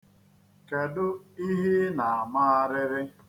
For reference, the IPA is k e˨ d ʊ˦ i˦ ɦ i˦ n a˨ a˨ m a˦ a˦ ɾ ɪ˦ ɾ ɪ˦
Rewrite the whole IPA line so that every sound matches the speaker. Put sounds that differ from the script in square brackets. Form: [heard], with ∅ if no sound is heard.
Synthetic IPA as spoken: k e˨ d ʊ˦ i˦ ɦ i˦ n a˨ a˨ m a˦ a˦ ɾ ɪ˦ ɾ ɪ˦